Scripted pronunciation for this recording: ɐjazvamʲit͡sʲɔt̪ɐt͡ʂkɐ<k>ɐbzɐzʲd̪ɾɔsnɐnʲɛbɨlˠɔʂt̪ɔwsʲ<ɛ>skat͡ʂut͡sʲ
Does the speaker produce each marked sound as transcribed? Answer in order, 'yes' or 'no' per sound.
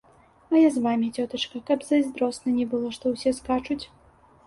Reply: yes, yes

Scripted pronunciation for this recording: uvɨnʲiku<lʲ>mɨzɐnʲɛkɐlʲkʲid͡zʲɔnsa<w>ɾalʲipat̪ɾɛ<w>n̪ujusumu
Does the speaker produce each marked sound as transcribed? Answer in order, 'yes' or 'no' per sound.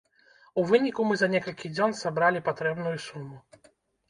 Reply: no, no, no

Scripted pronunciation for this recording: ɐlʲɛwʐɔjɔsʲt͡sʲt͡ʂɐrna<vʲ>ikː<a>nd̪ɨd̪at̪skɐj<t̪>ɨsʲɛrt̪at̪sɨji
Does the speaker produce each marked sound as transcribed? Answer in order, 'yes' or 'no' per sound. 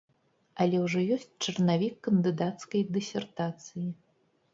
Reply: yes, no, no

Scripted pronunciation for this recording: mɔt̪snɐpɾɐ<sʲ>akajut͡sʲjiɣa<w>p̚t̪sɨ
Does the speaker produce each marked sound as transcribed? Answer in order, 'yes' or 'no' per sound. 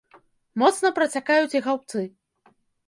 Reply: no, yes

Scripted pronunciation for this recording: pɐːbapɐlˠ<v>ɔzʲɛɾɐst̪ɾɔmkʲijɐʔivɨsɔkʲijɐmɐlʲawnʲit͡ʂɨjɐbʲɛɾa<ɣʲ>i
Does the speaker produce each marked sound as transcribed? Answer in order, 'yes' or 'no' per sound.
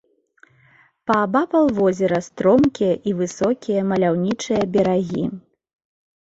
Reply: yes, yes

